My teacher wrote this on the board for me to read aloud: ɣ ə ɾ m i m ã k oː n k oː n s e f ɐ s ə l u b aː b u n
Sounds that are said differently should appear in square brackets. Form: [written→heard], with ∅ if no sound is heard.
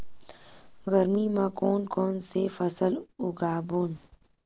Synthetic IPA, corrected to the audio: ɣ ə ɾ m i m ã k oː n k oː n s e f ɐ s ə l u [b→ɡ] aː b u n